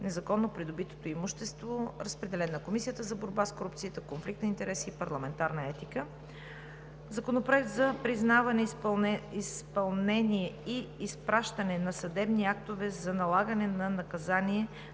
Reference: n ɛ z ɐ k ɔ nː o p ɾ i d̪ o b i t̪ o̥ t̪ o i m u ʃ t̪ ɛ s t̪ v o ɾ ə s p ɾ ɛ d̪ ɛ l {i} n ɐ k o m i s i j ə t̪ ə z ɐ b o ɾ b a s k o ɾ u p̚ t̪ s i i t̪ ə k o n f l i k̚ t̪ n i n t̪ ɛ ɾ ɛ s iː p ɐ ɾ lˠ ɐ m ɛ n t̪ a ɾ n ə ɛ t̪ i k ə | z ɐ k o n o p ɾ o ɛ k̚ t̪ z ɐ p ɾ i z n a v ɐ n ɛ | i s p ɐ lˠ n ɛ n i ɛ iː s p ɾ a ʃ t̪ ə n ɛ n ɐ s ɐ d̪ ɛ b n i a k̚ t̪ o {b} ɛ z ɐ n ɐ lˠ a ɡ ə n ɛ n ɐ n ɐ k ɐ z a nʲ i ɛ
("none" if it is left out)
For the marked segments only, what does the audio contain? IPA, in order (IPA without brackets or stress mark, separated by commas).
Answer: ɛ, v